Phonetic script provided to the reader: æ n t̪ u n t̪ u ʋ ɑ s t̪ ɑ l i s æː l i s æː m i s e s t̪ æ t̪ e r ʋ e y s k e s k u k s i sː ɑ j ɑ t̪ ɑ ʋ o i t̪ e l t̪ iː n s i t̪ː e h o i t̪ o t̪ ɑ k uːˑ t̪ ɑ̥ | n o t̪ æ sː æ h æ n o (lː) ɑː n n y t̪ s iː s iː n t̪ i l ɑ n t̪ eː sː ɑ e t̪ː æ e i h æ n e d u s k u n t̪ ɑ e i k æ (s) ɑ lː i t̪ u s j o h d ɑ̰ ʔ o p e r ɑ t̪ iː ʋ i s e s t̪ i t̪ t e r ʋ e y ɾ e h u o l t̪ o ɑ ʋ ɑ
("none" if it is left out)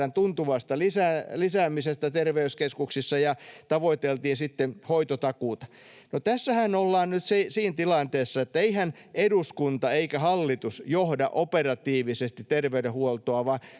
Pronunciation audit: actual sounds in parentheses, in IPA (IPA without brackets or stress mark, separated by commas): lː, h